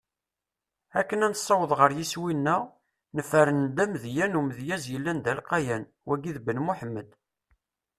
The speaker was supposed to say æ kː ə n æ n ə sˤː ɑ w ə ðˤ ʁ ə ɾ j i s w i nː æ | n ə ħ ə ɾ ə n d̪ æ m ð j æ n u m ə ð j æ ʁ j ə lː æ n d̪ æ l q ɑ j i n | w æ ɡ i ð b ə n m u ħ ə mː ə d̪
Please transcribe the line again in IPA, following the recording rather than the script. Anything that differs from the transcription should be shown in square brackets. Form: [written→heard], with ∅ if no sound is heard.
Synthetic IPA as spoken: æ kː ə n æ n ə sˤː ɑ w ə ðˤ ʁ ə ɾ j i s w i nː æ | n ə [ħ→f] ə ɾ ə n d̪ æ m ð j æ n u m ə ð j æ [ʁ→z] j ə lː æ n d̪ æ l q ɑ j [i→æ] n | w æ ɡ i ð b ə n m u ħ ə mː ə d̪